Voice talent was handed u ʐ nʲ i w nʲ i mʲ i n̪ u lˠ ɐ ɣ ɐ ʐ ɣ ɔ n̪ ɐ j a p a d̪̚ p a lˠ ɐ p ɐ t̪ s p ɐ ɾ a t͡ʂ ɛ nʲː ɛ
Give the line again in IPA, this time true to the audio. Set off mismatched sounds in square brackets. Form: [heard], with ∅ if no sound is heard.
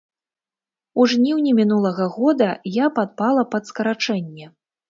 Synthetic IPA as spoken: u ʐ nʲ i w nʲ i mʲ i n̪ u lˠ ɐ ɣ ɐ [∅] ɣ ɔ [d̪] ɐ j a p a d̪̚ p a lˠ ɐ p ɐ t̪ s [k] ɐ ɾ a t͡ʂ ɛ nʲː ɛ